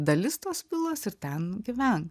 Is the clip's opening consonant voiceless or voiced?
voiced